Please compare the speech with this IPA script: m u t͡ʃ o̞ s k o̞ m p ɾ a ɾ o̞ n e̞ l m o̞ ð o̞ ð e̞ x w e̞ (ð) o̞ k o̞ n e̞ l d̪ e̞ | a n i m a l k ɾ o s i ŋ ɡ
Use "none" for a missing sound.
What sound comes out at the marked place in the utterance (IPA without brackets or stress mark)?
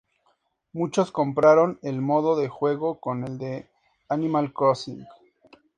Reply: ɣ